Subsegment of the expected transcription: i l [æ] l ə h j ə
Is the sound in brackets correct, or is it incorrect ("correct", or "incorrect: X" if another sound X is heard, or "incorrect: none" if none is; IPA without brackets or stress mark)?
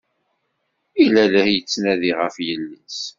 correct